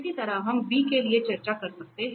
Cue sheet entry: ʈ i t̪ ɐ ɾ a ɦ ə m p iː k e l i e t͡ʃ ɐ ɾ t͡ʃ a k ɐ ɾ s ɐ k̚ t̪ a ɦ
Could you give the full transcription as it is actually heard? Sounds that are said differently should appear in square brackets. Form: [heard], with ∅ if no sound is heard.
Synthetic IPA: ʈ i t̪ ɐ ɾ a ɦ [ɐ] m [b] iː k e l i e t͡ʃ ɐ ɾ t͡ʃ a k ɐ ɾ s ɐ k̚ t̪ [e] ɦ

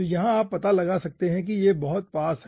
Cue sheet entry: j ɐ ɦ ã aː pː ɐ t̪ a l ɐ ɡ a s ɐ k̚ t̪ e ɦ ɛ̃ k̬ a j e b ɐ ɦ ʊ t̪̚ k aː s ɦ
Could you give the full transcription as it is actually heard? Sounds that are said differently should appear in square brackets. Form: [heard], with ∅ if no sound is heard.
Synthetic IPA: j ɐ ɦ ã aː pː ɐ t̪ a l ɐ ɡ a s ɐ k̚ t̪ e ɦ ɛ̃ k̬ [i] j e b ɐ ɦ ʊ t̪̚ [p] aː s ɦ

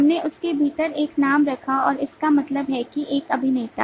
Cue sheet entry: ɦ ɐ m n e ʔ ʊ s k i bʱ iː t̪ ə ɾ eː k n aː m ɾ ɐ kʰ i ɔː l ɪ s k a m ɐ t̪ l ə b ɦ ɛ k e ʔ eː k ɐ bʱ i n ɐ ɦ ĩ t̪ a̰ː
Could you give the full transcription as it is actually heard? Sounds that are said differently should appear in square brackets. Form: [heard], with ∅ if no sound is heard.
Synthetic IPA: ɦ ɐ m n e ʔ ʊ s k [e] bʱ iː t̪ ə ɾ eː k n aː m ɾ ɐ kʰ [a] ɔː [ɾ] ɪ s k a m ɐ t̪ l ə b ɦ ɛ k [i] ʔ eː k ɐ bʱ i n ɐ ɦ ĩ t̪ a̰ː

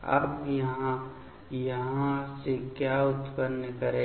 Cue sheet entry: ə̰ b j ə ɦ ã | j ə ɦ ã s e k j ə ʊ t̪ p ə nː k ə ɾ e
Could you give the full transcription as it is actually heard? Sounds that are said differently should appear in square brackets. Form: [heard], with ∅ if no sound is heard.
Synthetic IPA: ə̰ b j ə ɦ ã | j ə ɦ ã s e k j [a] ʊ t̪ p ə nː k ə ɾ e

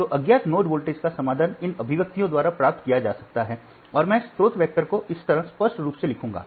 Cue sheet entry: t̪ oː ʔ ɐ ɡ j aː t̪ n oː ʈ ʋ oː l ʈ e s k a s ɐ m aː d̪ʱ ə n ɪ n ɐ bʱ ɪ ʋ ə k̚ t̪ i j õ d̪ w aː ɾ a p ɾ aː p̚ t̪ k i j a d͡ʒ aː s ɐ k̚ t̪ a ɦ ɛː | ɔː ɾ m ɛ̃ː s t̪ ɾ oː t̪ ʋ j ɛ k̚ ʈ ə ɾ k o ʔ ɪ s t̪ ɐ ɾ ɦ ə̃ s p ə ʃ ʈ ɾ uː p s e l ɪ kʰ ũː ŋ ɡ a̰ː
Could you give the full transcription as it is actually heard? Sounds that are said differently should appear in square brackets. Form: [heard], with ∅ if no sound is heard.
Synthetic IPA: t̪ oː ʔ ɐ ɡ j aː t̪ n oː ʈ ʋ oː l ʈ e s k a s ɐ m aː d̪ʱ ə n ɪ n ɐ bʱ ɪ ʋ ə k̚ t̪ i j õ d̪ w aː ɾ a p ɾ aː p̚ t̪ k i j a d͡ʒ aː s ɐ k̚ t̪ a ɦ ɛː | ɔː ɾ m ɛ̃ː s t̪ ɾ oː t̪ ʋ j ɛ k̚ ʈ ə ɾ k o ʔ ɪ s t̪ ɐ ɾ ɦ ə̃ s p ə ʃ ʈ ɾ uː p s e l ɪ kʰ ũː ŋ ɡ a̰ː

